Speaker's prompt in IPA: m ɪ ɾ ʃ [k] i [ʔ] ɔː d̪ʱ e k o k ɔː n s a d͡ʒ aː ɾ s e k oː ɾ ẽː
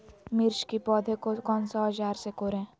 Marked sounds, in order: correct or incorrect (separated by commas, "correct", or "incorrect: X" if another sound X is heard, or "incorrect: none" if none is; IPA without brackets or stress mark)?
correct, incorrect: p